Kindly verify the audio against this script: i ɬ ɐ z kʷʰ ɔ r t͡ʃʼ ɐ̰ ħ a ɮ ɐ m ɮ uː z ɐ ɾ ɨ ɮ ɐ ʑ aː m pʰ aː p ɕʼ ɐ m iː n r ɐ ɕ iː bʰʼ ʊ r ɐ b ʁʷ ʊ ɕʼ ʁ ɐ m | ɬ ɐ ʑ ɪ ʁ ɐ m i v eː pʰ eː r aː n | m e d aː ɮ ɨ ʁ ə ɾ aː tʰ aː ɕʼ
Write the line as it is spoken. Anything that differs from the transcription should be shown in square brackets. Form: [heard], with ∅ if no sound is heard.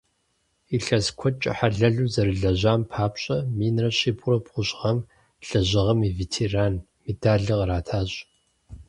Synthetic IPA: i ɬ ɐ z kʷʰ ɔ [∅] t͡ʃʼ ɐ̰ ħ a ɮ ɐ [∅] ɮ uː z ɐ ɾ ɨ ɮ ɐ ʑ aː m pʰ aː p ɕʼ ɐ m iː n r ɐ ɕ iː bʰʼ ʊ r ɐ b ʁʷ ʊ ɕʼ ʁ ɐ m | ɬ ɐ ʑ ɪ ʁ ɐ m i v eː [tʰ] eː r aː n | m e d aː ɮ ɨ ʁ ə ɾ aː tʰ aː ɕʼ